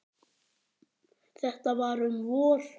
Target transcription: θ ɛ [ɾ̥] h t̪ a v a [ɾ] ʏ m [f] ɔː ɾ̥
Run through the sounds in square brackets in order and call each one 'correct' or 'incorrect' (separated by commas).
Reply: incorrect, correct, incorrect